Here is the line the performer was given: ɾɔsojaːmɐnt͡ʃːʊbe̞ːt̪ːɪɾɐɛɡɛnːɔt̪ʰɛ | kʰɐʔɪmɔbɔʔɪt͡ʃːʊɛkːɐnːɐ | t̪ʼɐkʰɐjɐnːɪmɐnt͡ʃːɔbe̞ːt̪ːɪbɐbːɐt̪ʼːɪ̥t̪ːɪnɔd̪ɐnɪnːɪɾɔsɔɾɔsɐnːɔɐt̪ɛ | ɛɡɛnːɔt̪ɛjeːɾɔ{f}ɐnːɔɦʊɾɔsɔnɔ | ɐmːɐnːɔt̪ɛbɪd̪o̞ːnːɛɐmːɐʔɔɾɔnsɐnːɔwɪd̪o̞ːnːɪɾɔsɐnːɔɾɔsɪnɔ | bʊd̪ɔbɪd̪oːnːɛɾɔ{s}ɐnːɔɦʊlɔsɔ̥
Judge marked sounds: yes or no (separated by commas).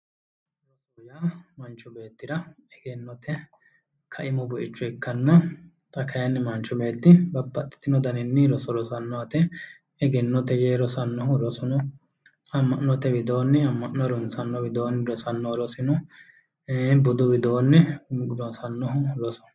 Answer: no, yes